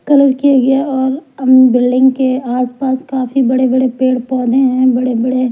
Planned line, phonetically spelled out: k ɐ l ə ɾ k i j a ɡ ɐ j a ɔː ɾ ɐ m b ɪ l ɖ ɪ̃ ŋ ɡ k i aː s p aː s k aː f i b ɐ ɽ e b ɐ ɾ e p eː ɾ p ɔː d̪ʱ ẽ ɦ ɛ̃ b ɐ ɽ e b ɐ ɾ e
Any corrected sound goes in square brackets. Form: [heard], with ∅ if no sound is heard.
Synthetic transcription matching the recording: k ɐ l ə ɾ k i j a ɡ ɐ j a ɔː ɾ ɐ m b ɪ l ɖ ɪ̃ ŋ ɡ k [e] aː s p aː s k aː f i b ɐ ɽ e b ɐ [ɽ] e p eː [ɽ] p ɔː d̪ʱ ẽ ɦ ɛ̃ b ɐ ɽ e b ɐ [ɽ] e